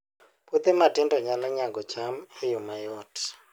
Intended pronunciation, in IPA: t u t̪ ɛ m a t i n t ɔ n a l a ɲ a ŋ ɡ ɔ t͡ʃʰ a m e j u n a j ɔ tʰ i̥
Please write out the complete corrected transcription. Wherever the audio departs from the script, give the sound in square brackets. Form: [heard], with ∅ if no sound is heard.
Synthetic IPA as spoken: [p] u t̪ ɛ m a t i n [d] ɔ [ɲ] a l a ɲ a ŋ ɡ ɔ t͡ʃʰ a m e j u [m] a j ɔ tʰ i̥